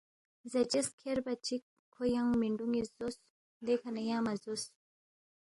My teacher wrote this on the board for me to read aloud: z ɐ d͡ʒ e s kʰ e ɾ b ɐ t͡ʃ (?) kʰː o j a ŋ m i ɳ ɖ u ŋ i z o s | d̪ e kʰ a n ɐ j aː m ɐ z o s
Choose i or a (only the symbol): i